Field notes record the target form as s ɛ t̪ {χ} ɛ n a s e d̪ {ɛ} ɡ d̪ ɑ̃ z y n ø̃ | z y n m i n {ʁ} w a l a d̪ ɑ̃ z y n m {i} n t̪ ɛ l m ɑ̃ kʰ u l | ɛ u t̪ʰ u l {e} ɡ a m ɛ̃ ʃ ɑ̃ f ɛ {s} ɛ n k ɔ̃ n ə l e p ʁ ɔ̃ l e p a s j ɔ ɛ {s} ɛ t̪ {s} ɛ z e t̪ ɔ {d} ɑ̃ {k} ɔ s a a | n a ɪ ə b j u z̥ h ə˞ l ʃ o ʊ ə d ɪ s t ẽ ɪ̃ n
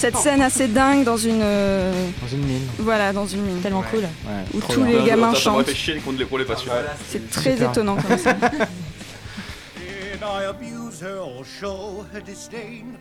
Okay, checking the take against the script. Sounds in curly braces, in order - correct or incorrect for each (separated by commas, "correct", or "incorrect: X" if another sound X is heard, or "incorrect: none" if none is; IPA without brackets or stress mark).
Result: incorrect: s, incorrect: ɛ̃, incorrect: v, correct, correct, incorrect: ʃ, correct, incorrect: χ, incorrect: n, correct